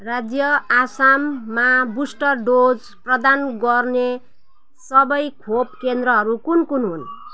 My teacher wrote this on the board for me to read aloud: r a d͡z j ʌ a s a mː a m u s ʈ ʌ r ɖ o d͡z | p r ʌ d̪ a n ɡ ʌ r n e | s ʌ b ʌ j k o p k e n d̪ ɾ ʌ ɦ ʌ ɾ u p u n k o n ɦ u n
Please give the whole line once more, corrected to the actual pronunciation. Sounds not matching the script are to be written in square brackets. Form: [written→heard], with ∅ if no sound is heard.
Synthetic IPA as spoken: r a d͡z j ʌ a s a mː a [m→b] u s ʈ ʌ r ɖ o d͡z | p r ʌ d̪ a n ɡ ʌ r n e | s ʌ b ʌ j [k→kʰ] o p k e n d̪ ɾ ʌ ɦ ʌ ɾ u [p→k] u n k [o→u] n ɦ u n